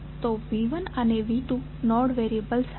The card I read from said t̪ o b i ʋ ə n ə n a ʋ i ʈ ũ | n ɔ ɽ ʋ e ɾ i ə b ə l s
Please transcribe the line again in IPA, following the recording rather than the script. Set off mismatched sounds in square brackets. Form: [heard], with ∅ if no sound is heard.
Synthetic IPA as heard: t̪ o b i ʋ ə n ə n [e] ʋ i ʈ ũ | n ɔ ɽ ʋ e ɾ i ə b ə l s